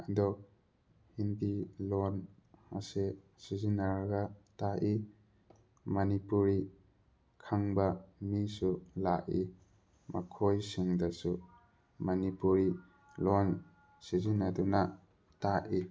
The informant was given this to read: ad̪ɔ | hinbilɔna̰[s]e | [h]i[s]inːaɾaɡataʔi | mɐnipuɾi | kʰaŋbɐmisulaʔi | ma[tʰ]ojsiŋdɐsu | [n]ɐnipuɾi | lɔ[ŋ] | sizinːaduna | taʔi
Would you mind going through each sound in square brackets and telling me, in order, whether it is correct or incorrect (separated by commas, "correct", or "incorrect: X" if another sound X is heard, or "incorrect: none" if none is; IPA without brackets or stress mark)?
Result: correct, incorrect: s, incorrect: z, incorrect: kʰ, incorrect: m, incorrect: n